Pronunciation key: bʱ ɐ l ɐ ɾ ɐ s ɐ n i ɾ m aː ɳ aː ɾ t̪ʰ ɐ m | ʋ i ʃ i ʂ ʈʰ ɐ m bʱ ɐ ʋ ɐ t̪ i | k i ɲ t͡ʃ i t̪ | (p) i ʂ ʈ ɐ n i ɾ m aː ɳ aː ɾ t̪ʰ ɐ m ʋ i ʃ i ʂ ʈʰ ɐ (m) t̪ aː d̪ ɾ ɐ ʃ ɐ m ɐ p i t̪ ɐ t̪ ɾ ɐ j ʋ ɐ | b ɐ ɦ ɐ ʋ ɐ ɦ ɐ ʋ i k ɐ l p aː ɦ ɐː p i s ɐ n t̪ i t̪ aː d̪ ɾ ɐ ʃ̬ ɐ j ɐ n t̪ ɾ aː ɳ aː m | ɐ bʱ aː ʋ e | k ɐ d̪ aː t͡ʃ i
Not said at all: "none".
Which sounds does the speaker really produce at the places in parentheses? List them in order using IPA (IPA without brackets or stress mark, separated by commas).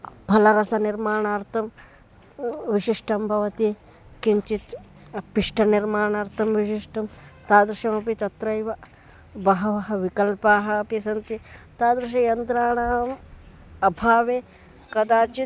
p, m